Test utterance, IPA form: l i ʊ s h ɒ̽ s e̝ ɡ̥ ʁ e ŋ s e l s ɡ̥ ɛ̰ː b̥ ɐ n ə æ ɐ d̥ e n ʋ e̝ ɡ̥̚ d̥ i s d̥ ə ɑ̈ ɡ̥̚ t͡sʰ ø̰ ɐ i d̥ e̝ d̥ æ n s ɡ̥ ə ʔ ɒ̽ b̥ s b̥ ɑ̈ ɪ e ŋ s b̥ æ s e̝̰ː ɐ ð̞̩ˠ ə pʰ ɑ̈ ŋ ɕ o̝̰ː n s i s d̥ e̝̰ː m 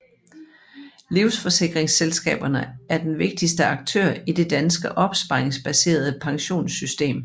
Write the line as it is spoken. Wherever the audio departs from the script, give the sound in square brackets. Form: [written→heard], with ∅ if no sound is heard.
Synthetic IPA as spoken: l i ʊ s [h→f] ɒ̽ s e̝ ɡ̥ ʁ e ŋ s e l s ɡ̥ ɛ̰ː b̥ ɐ n ə æ ɐ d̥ e n ʋ e̝ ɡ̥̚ d̥ i s d̥ ə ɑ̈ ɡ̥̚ t͡sʰ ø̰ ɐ i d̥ e̝ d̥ æ n s ɡ̥ ə ʔ ɒ̽ b̥ s b̥ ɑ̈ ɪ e ŋ s b̥ æ s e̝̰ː ɐ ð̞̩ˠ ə pʰ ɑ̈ ŋ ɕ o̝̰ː n s [i→y] s d̥ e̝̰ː m